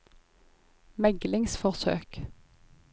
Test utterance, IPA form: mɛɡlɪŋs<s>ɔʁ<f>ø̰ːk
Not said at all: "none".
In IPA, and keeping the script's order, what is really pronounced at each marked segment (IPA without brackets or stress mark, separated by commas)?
f, s